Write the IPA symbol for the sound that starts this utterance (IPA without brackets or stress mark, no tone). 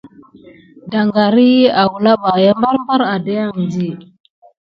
d